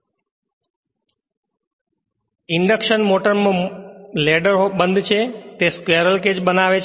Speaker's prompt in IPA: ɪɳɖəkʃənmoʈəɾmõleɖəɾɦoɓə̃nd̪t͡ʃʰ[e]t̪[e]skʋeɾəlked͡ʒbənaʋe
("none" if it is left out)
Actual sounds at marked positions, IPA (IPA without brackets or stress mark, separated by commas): e, e